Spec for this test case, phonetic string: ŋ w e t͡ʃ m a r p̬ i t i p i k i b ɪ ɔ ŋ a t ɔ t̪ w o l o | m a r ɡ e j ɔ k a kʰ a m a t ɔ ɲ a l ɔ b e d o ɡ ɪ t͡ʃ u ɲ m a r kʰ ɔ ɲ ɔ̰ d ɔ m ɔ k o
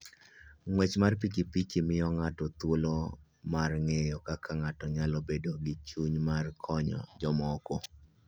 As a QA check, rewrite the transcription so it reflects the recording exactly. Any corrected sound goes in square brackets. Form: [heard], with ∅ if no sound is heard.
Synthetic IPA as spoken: ŋ w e t͡ʃ m a r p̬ i [k] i p i k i [m] ɪ ɔ ŋ a t ɔ t̪ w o l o | m a r [ŋ] e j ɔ k a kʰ a [ŋ] a t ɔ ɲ a l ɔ b e d o ɡ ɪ t͡ʃ u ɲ m a r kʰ ɔ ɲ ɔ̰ [d͡ʒ] ɔ m ɔ k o